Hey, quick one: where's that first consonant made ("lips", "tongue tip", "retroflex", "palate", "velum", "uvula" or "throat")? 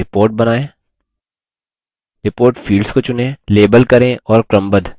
lips